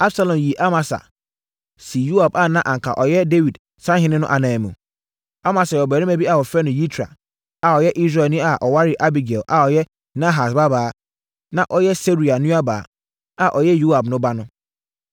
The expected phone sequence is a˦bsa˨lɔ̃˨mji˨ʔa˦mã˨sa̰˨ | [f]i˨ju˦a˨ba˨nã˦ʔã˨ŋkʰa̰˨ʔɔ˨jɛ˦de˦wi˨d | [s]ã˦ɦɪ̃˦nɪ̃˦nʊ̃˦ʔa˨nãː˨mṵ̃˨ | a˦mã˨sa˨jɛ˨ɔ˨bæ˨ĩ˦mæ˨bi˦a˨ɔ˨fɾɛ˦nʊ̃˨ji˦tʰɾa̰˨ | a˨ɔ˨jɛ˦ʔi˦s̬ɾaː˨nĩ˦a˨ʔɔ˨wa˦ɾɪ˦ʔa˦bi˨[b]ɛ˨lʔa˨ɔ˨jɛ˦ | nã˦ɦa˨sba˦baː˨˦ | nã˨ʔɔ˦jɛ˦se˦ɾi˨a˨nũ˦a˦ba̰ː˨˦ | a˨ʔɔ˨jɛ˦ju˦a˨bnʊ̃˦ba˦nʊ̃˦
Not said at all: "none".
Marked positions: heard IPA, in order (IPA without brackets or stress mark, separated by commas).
s, s, ɡ